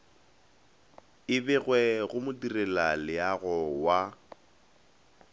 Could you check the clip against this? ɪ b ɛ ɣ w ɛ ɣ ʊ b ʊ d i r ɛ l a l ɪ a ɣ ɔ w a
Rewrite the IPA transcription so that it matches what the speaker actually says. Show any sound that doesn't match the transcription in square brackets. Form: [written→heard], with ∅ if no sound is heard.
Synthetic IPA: ɪ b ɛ ɣ w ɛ ɣ ʊ [b→m] ʊ d i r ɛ l a l ɪ a ɣ ɔ w a